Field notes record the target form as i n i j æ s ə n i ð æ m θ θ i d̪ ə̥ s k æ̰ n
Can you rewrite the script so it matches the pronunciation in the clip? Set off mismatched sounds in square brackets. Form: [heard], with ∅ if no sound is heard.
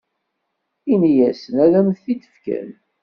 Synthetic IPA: i n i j æ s ə n [æ] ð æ m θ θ i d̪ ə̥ [f] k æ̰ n